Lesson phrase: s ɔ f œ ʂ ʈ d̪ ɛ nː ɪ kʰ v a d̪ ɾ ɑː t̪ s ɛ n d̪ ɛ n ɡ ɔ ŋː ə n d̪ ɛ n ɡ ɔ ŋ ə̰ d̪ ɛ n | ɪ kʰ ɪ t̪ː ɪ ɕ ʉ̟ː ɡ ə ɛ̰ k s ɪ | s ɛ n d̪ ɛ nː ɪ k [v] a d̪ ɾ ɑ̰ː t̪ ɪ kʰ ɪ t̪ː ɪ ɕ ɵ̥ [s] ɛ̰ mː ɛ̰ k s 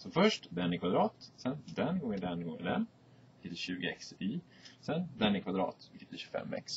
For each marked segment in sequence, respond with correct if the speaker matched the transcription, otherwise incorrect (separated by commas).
correct, incorrect